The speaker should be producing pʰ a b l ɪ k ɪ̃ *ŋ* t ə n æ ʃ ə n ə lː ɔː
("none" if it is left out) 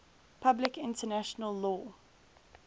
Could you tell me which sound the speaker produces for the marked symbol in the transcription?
n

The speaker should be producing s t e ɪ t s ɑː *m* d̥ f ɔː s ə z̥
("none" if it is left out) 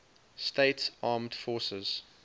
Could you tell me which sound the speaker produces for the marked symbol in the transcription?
m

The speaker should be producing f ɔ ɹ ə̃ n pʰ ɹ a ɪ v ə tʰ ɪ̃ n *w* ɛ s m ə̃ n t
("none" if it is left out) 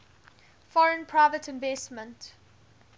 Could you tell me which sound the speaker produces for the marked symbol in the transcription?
v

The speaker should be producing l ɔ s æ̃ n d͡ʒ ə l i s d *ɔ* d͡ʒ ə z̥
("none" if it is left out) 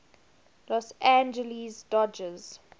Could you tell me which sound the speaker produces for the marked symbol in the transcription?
ɔ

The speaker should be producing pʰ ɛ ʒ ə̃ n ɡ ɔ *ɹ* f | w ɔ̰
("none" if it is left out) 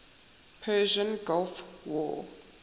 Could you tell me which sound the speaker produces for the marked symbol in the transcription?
l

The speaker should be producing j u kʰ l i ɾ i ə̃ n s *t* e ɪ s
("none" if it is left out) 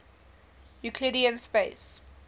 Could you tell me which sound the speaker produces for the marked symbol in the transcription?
p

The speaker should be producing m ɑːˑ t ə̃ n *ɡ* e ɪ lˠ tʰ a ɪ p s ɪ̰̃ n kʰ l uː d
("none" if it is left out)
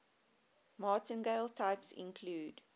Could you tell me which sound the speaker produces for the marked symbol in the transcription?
ɡ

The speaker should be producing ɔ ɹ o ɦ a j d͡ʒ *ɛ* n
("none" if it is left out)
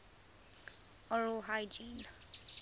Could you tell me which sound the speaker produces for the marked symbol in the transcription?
i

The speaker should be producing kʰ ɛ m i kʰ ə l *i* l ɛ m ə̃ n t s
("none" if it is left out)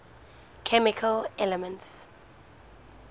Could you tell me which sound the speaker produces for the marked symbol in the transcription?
ɛ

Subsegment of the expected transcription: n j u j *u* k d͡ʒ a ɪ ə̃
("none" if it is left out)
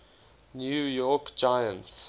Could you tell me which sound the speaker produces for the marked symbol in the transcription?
ɔ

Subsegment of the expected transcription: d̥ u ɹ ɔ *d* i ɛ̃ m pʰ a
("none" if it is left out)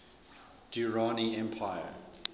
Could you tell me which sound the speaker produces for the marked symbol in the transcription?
n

